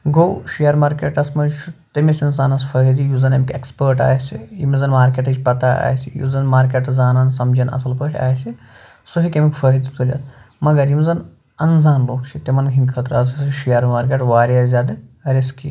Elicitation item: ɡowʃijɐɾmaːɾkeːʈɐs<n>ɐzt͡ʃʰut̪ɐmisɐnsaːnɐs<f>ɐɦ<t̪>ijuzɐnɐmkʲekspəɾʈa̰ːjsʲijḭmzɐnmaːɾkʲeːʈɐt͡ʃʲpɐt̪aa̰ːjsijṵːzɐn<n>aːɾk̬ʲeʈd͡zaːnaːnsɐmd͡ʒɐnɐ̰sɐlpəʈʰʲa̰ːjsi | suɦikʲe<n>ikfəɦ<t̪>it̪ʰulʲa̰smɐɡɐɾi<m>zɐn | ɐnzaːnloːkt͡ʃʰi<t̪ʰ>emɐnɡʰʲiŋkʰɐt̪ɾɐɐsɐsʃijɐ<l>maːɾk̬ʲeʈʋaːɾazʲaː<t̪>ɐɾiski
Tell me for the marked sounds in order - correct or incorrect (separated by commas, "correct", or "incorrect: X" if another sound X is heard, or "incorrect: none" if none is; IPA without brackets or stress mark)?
incorrect: m, correct, incorrect: d̪, incorrect: m, incorrect: m, incorrect: d̪, correct, incorrect: t̪, incorrect: ɾ, incorrect: d̪